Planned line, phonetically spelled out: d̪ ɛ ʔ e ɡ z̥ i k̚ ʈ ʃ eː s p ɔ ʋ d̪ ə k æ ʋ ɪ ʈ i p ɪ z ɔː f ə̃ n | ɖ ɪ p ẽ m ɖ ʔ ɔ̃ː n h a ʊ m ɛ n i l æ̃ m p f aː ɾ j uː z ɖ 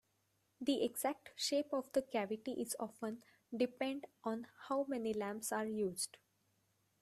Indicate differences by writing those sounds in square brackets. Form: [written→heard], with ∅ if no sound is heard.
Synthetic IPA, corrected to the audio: d̪ [ɛ→i] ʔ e ɡ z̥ [i→æ] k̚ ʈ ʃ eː [s→∅] p ɔ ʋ d̪ ə k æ ʋ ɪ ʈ i [p→ʔ] ɪ z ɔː f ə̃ n | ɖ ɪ p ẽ [m→ɳ] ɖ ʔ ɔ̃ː n h a ʊ m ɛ n i l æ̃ m p [f→s] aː ɾ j uː z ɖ